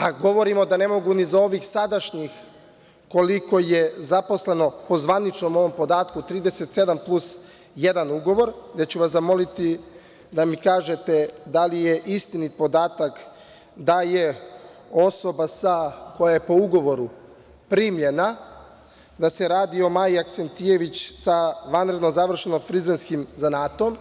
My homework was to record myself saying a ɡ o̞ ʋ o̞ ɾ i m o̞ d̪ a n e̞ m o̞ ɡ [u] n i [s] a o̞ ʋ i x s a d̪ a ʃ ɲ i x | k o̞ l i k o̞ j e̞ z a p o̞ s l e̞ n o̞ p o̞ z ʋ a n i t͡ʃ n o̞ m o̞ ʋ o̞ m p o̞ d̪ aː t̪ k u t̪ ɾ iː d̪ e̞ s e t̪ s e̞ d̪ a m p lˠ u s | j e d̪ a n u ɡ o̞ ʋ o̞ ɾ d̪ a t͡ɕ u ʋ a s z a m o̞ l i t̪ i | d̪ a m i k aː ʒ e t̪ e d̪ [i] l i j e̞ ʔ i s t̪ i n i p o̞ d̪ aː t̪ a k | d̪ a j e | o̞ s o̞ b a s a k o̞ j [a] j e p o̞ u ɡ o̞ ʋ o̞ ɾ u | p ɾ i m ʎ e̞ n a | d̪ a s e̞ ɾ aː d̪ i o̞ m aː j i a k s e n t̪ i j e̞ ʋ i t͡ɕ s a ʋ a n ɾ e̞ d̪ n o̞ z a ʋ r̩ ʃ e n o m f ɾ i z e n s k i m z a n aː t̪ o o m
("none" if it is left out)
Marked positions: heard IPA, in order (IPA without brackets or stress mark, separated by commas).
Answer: u, z, a, a